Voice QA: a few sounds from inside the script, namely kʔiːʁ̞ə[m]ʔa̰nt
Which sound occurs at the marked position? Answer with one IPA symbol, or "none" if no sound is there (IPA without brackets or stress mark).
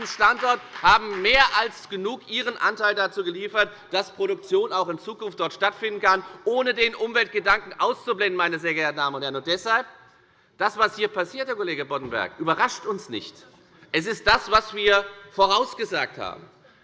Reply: n